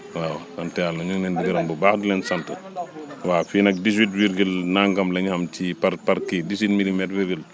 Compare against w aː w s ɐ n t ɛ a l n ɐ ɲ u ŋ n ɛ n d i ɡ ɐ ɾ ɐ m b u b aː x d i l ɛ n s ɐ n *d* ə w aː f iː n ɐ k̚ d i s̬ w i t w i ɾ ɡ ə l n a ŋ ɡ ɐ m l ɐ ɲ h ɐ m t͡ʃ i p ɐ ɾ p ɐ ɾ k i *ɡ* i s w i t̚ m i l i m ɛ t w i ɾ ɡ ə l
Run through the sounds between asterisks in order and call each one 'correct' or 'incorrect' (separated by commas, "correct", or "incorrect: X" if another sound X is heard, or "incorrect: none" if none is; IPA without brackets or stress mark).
incorrect: t, incorrect: d